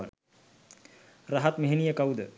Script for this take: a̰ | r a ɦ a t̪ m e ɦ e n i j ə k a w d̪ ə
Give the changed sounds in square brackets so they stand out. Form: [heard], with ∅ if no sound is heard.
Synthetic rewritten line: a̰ | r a ɦ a t̪ m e ɦ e n i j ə k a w d̪ ə